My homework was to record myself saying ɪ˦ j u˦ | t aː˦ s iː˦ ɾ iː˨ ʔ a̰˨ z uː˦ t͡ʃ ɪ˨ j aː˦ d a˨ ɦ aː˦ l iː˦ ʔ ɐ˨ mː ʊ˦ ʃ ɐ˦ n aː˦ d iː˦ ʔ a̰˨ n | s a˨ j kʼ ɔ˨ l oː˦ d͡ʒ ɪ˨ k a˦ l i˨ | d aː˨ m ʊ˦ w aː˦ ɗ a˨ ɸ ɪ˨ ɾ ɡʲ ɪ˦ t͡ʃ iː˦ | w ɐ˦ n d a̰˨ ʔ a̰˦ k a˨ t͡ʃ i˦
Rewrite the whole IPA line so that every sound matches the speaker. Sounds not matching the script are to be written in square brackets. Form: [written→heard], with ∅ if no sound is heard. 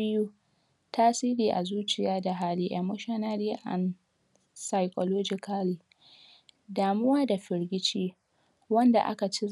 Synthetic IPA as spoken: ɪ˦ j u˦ | t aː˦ s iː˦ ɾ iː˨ ʔ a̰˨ z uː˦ t͡ʃ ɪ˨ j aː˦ d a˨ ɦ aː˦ l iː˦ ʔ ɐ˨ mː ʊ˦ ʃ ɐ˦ n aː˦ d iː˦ ʔ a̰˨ n | s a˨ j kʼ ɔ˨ l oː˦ d͡ʒ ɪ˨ k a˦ l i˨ | d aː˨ m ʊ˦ w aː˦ [ɗ→d] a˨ ɸ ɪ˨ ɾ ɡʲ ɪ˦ t͡ʃ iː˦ | w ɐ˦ n d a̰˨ ʔ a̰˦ k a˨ t͡ʃ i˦